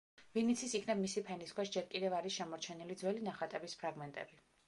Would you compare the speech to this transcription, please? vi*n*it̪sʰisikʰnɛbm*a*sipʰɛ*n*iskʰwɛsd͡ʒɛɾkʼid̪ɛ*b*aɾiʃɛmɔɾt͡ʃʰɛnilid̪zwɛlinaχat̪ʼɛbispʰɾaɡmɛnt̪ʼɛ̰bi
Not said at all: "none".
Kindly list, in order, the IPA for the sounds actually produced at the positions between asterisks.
n, i, n, v

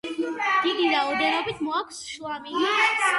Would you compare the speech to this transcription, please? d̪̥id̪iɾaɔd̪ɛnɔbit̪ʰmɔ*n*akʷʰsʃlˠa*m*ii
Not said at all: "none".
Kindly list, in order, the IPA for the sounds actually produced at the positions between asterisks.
none, m

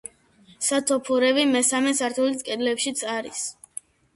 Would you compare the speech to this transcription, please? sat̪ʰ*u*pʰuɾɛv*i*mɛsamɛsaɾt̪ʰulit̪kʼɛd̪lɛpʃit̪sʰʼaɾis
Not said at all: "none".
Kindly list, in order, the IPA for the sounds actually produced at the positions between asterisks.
ɔ, i

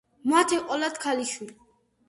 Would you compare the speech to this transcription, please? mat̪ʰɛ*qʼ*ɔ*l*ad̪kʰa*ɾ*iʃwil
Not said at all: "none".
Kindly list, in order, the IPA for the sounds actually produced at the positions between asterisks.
qʼ, l, l

